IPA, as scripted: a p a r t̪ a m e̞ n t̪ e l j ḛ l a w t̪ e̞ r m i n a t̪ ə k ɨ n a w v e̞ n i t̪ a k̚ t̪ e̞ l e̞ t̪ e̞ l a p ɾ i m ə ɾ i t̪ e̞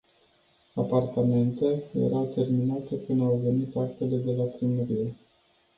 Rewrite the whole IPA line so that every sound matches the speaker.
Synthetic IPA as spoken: a p a r t̪ a m e̞ n t̪ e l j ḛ ɾ a w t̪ e̞ r m i n a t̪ ə k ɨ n a w v e̞ n i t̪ a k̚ t̪ e̞ l e̞ d̪ e̞ l a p ɾ i m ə ɾ i e̞